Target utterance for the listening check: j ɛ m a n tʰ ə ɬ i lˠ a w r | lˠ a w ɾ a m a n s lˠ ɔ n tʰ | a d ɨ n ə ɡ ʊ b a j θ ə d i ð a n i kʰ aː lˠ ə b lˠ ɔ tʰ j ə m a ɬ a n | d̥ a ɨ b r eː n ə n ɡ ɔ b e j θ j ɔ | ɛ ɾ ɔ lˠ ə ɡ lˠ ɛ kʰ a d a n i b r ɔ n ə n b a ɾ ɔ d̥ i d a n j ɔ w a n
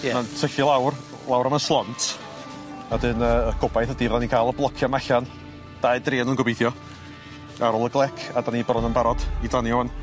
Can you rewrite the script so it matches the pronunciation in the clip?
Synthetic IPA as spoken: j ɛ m a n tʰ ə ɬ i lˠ a w r | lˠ a w ɾ a m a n s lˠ ɔ n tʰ | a d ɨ n ə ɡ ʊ b a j θ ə d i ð a n i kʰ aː lˠ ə b lˠ ɔ kʰ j a m a ɬ a n | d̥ a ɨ d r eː n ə n ɡ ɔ b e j θ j ɔ | a ɾ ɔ lˠ ə ɡ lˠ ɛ kʰ a d a n i b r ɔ n ə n b a ɾ ɔ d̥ i d a n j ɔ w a n